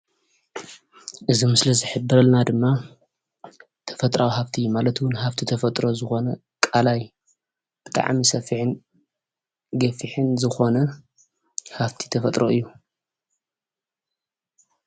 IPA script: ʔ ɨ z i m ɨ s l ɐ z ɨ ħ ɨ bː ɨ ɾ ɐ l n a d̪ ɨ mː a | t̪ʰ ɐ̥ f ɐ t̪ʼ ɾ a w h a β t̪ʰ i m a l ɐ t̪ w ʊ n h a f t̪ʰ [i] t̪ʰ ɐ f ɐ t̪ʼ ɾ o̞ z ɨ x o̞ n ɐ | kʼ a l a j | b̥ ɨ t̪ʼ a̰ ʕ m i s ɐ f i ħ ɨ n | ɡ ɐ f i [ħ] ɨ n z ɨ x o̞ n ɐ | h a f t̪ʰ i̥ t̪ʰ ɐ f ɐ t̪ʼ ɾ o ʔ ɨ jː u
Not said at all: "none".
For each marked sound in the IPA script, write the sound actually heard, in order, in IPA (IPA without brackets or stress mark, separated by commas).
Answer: i, ħ